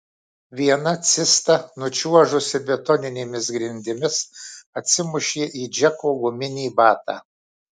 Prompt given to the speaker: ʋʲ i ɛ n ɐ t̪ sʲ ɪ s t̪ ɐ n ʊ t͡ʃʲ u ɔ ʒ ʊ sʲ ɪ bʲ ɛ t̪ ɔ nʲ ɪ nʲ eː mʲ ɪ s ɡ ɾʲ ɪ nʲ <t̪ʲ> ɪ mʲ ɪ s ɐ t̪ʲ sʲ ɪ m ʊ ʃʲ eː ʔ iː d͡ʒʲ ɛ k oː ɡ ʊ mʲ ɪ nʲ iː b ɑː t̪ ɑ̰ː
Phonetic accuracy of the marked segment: incorrect: d̪ʲ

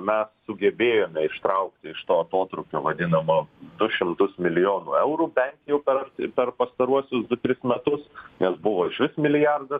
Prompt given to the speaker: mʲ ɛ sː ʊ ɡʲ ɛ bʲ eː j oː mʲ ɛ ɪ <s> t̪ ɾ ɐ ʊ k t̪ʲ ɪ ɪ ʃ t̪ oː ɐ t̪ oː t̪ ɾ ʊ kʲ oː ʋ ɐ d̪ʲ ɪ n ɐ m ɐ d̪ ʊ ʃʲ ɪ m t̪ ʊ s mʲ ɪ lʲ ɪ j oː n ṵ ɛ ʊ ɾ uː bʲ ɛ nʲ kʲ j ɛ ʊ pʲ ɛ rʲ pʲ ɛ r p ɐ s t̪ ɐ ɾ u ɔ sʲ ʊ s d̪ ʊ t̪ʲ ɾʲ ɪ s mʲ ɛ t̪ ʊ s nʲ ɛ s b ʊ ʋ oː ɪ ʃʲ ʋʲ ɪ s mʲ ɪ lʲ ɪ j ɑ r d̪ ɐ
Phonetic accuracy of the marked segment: incorrect: ʃ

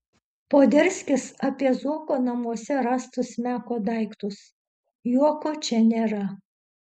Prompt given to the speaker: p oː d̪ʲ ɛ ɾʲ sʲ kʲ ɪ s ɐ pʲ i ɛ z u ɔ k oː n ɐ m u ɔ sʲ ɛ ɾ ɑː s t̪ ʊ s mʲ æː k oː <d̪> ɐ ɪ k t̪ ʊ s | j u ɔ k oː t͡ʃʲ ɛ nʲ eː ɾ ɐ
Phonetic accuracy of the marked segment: correct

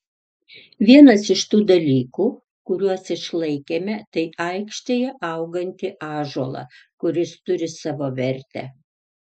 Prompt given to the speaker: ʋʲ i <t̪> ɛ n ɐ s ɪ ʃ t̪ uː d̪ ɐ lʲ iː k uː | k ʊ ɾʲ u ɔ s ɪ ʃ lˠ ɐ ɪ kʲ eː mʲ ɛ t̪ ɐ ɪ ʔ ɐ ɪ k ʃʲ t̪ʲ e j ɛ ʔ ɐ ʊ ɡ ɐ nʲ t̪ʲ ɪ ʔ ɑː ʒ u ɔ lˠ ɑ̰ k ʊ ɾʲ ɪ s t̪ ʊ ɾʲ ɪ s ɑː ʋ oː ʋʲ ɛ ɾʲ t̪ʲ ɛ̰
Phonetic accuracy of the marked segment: incorrect: none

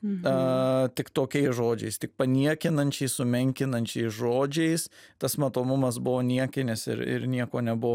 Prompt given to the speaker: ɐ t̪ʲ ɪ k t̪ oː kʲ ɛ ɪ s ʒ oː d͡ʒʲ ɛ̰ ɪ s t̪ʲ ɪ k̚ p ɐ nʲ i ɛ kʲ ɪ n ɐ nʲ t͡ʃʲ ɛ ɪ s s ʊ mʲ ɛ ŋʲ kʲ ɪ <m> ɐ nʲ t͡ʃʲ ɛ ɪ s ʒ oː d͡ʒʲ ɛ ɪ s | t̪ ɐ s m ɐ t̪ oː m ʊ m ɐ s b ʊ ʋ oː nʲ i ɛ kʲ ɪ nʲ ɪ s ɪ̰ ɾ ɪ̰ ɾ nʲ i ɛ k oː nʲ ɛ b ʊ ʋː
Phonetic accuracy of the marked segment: incorrect: n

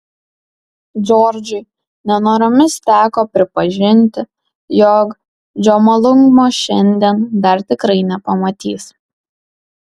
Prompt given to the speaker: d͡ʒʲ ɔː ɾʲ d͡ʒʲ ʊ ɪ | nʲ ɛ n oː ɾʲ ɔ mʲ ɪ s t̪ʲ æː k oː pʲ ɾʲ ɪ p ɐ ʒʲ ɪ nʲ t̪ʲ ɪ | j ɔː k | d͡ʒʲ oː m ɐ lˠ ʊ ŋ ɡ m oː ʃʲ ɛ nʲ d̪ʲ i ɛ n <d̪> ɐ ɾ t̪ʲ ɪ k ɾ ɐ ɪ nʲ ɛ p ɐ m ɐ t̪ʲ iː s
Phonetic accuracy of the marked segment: correct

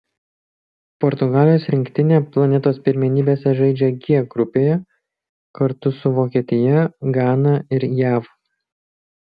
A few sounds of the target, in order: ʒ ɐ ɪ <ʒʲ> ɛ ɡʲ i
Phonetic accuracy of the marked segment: incorrect: d͡ʒʲ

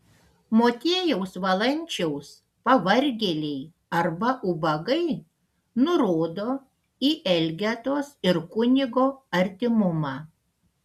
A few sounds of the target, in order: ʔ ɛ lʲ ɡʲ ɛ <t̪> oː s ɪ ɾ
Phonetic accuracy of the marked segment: correct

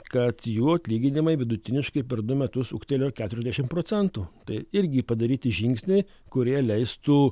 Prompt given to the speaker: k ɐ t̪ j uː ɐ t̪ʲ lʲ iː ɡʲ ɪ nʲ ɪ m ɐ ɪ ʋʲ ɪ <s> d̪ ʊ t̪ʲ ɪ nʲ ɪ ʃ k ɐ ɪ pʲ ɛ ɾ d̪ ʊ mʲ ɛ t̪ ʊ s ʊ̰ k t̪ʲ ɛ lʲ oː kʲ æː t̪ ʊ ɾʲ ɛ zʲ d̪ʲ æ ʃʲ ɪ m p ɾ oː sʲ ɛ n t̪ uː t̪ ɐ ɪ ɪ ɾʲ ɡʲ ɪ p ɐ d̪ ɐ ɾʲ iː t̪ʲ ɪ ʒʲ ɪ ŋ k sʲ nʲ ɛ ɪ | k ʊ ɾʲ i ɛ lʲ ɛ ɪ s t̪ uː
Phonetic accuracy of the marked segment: incorrect: none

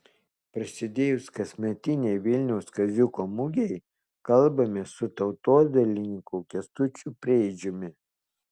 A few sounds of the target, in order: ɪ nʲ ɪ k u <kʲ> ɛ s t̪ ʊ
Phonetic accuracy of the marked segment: correct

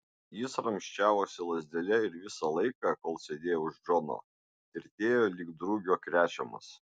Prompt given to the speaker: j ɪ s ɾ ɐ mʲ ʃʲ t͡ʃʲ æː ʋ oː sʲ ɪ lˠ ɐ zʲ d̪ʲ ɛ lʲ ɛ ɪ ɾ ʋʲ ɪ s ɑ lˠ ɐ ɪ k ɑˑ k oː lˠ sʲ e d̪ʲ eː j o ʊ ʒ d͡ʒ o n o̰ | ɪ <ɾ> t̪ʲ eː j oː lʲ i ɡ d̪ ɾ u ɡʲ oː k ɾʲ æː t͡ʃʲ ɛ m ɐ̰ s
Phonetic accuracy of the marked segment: correct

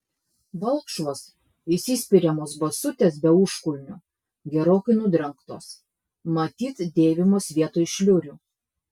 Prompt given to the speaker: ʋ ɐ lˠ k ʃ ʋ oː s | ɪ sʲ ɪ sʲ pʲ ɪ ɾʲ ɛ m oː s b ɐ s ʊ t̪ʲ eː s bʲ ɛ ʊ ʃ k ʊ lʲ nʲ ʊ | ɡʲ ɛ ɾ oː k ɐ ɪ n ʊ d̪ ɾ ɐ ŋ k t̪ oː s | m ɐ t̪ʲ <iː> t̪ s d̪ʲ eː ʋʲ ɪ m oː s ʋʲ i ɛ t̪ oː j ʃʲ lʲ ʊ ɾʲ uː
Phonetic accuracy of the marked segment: correct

